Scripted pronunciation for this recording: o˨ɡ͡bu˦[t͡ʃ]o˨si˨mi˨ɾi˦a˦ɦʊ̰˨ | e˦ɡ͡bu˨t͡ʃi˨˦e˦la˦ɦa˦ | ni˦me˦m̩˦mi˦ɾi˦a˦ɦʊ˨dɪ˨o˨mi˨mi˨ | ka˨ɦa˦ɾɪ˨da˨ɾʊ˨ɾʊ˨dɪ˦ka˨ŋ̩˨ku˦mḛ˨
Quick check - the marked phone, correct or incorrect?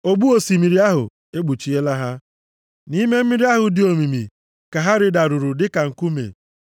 incorrect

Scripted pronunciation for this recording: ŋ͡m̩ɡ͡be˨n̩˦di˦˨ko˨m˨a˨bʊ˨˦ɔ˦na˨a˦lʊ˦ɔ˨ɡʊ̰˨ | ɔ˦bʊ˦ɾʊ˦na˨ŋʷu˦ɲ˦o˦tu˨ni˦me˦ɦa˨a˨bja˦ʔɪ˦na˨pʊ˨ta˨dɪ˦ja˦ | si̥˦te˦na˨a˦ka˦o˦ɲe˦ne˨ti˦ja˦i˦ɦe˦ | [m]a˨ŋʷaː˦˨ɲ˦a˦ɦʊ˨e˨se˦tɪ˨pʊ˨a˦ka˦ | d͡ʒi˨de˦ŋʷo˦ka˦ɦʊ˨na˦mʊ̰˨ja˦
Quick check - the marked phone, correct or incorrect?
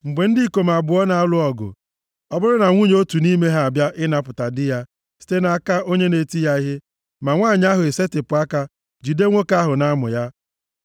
correct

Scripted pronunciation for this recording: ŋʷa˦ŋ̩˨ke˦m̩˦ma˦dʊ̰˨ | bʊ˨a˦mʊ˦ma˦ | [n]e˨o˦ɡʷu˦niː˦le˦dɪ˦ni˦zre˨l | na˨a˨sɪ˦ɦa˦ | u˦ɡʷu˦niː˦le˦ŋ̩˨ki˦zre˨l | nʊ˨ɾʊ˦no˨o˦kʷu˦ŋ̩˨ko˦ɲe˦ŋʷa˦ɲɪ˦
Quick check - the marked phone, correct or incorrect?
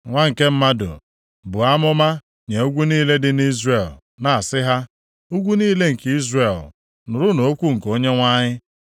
incorrect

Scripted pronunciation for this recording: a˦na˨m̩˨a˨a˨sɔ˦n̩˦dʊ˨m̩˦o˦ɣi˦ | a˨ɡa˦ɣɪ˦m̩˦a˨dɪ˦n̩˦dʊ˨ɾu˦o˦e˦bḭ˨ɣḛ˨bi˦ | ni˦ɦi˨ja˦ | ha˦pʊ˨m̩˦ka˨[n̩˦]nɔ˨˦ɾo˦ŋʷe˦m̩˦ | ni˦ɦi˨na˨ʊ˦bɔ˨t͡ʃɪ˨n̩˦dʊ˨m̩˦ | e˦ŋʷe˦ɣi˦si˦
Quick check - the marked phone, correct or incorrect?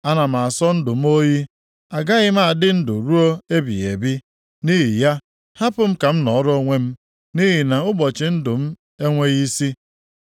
incorrect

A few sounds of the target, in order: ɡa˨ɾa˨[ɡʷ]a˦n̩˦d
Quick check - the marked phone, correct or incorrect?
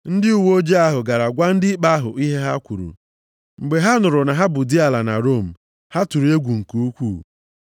correct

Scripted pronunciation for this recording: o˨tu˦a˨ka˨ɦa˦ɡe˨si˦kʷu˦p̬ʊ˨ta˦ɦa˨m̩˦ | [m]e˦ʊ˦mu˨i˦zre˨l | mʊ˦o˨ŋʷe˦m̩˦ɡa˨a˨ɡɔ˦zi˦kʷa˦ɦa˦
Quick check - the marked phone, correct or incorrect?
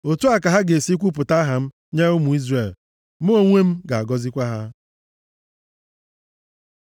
incorrect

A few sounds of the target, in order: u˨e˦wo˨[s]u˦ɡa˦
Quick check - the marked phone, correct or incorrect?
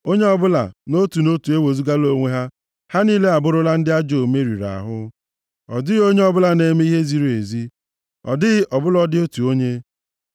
incorrect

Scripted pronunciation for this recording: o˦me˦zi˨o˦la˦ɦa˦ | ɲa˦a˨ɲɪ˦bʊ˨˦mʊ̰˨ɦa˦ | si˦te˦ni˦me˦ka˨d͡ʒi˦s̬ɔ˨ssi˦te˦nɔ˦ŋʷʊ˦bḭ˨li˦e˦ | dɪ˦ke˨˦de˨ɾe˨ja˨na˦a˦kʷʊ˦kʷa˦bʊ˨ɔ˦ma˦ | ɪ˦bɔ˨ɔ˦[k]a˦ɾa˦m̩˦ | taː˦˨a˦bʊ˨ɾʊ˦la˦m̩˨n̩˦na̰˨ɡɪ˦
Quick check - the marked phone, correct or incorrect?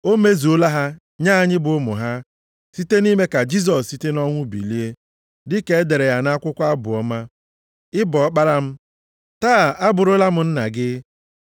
incorrect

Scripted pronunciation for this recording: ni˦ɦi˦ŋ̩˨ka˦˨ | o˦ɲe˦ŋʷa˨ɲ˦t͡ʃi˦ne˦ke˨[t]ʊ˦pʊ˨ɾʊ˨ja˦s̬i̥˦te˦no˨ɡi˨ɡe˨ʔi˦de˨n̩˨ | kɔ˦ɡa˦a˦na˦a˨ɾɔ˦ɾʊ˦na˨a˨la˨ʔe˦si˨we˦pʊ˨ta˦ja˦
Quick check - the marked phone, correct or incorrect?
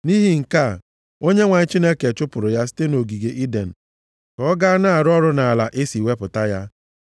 incorrect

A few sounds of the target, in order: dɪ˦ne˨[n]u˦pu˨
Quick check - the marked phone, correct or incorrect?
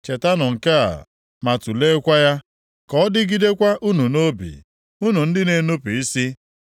correct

